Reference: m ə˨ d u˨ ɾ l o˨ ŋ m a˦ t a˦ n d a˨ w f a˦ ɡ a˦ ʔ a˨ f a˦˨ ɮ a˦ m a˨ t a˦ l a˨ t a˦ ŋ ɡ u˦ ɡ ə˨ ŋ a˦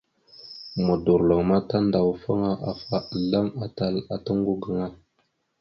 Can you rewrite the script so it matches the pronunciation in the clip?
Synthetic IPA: m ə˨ d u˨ ɾ l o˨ ŋ m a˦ t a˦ n d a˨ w f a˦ ŋ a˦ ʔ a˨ f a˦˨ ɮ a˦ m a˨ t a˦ l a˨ t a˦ ŋ ɡ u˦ ɡ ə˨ ŋ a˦